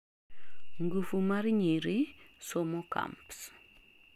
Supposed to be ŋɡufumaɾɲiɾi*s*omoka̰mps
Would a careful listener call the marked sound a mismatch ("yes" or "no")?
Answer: no